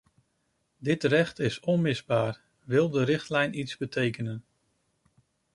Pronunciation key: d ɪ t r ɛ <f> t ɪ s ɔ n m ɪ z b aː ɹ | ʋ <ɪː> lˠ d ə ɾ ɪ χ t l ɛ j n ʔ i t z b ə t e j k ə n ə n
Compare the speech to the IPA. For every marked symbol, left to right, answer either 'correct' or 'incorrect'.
incorrect: χ, incorrect: ɪ

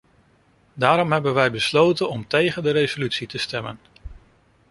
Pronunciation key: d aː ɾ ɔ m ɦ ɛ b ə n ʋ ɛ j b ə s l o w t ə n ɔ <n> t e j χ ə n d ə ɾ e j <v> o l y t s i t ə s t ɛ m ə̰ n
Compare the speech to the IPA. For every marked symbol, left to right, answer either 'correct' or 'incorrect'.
incorrect: m, incorrect: z

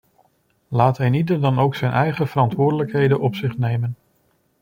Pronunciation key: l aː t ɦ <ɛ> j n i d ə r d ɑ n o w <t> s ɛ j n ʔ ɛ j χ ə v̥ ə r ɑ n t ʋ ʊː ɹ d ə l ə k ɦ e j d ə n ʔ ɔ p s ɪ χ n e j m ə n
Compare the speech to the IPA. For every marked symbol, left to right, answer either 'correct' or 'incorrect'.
correct, incorrect: k

